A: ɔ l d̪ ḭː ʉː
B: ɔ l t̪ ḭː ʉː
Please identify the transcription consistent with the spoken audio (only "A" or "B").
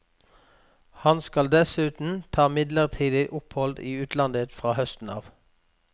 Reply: A